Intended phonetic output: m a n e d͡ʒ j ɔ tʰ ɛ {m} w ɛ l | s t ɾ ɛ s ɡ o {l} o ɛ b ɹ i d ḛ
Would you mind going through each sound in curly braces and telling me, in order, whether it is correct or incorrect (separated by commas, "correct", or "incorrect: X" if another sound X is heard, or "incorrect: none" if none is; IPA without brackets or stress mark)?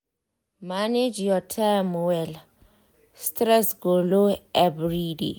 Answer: correct, correct